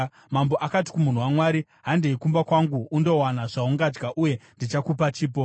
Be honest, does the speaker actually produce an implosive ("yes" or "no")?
no